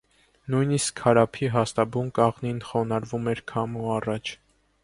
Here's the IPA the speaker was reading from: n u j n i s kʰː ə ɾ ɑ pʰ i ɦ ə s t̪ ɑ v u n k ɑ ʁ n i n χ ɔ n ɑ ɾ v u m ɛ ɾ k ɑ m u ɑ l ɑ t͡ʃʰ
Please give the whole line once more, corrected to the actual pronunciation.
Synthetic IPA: n u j n i s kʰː ɑ ɾ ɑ pʰ i ɦ ɑ s t̪ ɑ b u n k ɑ ʁ n i n χ ɔ n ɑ ɾ v u m ɛ ɾ kʰ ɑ m u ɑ r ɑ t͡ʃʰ